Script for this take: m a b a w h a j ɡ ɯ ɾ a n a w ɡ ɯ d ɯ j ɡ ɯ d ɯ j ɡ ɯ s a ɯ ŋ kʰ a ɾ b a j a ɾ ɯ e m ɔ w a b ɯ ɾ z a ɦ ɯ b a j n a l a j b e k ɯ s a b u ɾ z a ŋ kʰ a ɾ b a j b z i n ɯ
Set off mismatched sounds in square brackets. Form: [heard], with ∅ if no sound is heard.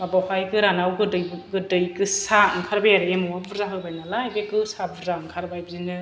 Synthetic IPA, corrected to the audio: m a b a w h a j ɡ ɯ ɾ a n a w ɡ ɯ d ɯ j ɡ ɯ d ɯ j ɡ ɯ s a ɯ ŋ kʰ a ɾ b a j a ɾ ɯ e m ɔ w a b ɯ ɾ z a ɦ ɯ b a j n a l a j b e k ɯ s a b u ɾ z a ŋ kʰ a ɾ b a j b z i n ɯ